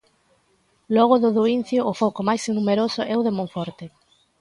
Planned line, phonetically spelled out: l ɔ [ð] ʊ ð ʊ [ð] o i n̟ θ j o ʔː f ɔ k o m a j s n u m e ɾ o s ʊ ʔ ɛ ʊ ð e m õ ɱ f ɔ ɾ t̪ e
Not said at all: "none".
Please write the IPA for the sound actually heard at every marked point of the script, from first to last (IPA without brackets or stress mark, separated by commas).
ɣ, ð